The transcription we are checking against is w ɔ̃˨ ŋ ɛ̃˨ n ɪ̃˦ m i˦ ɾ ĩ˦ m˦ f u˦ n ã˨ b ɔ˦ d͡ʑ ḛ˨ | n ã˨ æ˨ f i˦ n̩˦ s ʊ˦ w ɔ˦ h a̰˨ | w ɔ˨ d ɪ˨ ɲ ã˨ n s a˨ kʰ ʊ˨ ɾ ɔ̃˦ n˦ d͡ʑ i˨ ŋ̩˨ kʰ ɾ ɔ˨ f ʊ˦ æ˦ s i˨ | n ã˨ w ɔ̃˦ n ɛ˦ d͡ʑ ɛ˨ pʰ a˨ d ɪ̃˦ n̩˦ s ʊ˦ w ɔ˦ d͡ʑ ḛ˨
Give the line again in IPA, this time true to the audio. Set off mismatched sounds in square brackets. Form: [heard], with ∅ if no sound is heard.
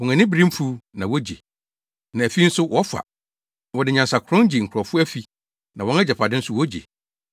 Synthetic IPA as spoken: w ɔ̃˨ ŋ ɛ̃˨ n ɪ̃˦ [b] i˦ ɾ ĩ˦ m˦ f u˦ n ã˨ [w] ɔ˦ d͡ʑ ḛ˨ | n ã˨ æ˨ f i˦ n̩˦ s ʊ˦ w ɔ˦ [f] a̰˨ | w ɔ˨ d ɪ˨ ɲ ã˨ n s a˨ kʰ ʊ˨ ɾ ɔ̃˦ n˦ d͡ʑ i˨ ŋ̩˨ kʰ ɾ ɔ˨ f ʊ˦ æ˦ [f] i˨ | n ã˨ w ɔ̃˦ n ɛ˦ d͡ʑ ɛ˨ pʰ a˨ d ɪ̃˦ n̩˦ s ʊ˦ w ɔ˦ d͡ʑ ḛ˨